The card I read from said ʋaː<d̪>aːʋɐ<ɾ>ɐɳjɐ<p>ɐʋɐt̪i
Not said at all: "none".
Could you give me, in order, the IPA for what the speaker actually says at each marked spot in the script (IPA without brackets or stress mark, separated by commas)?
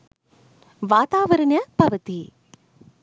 t̪, ɾ, p